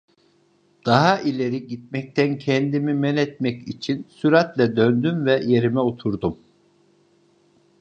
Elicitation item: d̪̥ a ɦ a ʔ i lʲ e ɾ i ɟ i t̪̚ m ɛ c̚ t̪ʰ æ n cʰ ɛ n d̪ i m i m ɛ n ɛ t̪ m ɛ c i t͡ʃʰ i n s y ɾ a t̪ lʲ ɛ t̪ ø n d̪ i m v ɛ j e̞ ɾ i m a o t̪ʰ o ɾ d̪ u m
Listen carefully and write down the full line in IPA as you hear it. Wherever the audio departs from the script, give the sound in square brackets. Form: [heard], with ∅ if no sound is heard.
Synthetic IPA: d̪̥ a ɦ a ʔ i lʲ e ɾ i ɟ i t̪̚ m ɛ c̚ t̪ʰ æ n cʰ ɛ n d̪ i m i m ɛ n ɛ t̪ m ɛ c i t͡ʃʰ i n s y ɾ a t̪ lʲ ɛ [d̪] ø n d̪ [y] m v ɛ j e̞ ɾ i m [ɛ] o t̪ʰ [u] ɾ d̪ u m